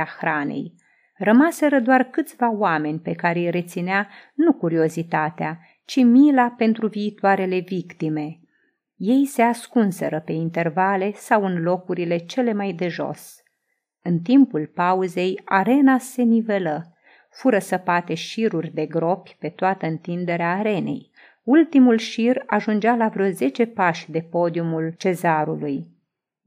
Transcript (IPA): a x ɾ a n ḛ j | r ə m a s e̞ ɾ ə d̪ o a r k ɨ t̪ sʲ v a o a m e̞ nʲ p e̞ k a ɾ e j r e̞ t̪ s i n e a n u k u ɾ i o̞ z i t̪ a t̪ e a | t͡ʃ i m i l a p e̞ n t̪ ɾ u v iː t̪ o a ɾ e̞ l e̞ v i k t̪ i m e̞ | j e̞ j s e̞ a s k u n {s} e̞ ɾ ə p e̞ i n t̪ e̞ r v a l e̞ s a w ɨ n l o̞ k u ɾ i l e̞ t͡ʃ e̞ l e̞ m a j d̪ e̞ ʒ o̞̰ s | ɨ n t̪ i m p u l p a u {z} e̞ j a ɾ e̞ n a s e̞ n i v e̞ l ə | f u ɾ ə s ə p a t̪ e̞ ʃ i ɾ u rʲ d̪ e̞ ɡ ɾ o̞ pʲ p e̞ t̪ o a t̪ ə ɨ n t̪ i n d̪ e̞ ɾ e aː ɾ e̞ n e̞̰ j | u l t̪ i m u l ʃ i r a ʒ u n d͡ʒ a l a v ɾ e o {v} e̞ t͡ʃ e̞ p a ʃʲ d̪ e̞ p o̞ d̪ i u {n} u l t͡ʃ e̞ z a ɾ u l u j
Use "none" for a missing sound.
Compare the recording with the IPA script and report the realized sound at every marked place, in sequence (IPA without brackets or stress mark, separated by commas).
s, z, z, m